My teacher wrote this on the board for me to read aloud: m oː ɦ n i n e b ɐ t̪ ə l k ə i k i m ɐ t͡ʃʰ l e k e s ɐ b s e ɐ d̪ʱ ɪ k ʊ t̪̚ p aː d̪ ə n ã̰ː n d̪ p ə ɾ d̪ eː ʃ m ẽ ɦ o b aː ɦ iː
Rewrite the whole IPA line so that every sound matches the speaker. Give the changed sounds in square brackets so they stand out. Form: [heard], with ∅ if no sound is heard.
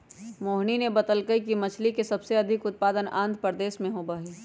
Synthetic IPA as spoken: m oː ɦ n i n e b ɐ t̪ ə l k ə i k i m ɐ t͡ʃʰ l [i] k e s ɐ b s e ɐ d̪ʱ ɪ k ʊ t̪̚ p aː d̪ ə n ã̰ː n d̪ p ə ɾ d̪ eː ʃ m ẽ ɦ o b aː ɦ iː